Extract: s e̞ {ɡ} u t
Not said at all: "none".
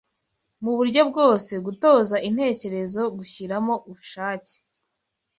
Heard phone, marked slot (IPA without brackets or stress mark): ɡ